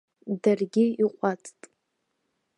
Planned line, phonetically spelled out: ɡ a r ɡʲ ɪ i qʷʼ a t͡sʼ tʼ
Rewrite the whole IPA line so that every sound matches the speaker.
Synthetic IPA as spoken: d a r ɡʲ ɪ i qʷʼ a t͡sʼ tʼ